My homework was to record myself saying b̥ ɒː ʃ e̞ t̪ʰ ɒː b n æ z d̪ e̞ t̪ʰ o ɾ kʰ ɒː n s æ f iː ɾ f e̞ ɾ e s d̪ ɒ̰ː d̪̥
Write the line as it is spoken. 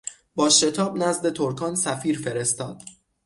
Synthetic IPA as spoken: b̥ ɒː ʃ e̞ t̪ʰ ɒː b n æ z d̪ e̞ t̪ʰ o ɾ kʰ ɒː n s æ f iː ɾ f e̞ ɾ e s t̪ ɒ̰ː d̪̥